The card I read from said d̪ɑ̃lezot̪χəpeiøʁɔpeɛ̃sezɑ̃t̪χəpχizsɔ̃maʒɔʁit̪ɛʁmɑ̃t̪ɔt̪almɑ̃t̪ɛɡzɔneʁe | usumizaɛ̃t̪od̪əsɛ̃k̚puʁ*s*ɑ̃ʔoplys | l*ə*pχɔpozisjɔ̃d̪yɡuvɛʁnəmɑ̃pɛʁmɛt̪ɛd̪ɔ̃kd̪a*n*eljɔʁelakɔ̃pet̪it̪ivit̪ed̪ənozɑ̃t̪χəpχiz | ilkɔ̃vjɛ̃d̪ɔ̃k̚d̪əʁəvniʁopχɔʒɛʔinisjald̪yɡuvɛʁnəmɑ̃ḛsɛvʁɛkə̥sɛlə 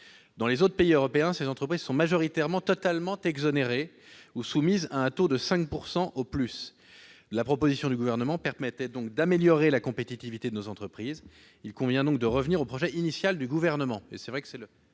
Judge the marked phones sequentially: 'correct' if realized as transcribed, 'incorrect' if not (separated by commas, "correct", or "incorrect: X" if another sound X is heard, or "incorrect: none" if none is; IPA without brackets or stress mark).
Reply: correct, incorrect: a, incorrect: m